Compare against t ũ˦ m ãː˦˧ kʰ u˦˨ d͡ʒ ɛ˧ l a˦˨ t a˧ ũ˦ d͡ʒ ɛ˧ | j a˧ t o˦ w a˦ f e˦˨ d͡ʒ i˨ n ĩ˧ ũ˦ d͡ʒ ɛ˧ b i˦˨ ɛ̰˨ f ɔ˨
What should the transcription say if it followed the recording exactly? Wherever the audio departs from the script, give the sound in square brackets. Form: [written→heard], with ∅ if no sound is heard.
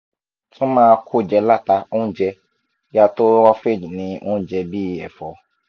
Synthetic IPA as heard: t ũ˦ m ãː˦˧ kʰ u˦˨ d͡ʒ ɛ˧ l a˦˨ t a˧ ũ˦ d͡ʒ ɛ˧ | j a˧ t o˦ w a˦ f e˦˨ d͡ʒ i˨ n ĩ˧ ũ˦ d͡ʒ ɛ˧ b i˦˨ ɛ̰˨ f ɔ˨